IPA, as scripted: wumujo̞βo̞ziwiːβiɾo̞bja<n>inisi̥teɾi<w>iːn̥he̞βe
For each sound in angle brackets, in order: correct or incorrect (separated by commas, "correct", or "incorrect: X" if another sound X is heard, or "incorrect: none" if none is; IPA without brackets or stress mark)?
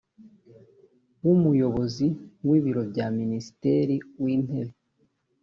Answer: incorrect: m, correct